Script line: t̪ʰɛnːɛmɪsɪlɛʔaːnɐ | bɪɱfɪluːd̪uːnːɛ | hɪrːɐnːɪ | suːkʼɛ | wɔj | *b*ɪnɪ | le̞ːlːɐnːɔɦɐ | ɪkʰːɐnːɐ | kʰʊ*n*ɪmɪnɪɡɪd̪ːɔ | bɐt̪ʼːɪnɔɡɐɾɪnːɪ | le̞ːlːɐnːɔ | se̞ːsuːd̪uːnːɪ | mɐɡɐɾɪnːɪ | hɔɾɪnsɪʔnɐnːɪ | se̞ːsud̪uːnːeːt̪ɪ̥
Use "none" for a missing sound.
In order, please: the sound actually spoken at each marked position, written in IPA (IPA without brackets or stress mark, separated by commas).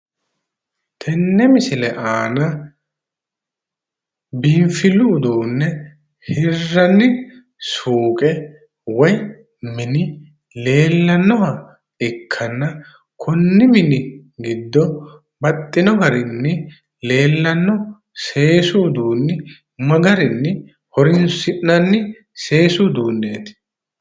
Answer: m, nː